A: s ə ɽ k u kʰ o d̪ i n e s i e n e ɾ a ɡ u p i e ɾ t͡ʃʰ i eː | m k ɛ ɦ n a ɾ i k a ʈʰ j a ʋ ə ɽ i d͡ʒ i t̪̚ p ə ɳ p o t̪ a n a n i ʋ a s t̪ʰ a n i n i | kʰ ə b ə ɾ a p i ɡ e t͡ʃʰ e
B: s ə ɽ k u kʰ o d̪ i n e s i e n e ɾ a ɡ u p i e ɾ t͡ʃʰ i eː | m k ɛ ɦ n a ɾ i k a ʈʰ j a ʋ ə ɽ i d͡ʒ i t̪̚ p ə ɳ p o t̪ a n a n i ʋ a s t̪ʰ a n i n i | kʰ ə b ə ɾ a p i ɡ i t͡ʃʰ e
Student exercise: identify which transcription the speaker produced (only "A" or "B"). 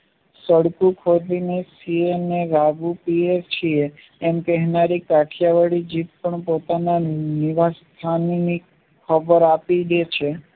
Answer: A